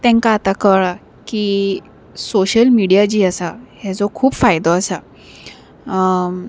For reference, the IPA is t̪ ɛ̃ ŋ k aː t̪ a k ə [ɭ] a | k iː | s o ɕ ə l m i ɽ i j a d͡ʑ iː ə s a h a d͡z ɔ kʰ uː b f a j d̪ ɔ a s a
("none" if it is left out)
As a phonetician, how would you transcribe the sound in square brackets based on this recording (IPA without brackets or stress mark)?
ɭ